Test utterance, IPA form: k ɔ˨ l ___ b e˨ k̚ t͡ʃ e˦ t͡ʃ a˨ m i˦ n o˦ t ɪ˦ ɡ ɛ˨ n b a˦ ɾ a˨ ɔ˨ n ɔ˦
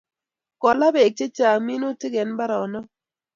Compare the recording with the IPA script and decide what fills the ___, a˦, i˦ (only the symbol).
a˦